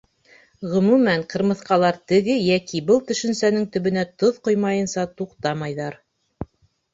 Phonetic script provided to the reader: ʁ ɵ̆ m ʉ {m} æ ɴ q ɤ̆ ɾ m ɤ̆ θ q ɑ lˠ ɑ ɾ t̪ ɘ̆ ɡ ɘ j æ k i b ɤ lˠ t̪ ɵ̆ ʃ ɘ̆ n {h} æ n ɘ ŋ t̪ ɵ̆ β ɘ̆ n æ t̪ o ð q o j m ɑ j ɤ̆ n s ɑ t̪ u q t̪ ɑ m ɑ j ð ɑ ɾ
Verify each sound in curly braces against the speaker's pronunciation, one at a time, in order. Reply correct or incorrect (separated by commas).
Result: correct, incorrect